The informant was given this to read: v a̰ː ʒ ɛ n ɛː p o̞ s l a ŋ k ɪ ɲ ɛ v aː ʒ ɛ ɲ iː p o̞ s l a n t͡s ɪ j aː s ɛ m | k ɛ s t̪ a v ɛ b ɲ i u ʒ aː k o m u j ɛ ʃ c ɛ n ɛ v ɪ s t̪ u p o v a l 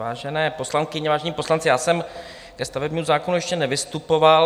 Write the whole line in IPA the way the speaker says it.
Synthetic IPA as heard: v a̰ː ʒ ɛ n ɛː p o̞ s l a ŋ k ɪ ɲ ɛ v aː ʒ ɛ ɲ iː p o̞ s l a n t͡s ɪ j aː s ɛ m | k ɛ s t̪ a v ɛ b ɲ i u z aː k o n u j ɛ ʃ c ɛ n ɛ v ɪ s t̪ u p o v a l